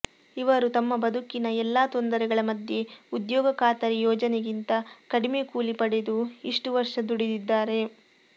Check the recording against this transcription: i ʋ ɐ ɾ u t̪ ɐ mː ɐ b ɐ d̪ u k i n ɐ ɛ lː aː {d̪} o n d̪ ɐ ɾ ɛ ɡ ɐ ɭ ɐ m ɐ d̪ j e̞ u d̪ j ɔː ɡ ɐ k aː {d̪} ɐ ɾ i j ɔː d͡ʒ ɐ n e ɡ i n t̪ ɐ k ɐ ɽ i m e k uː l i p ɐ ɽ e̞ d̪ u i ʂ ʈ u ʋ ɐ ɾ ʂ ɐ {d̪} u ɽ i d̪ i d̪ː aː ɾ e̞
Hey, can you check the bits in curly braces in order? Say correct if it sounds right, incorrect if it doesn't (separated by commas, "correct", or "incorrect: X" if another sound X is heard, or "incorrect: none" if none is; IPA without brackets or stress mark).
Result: incorrect: t̪, incorrect: t̪, correct